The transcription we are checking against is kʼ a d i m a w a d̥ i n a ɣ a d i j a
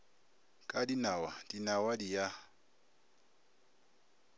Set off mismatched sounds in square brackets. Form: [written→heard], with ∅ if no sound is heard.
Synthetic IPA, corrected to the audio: kʼ a d i [m→n] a w a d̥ i n a [ɣ→w] a d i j a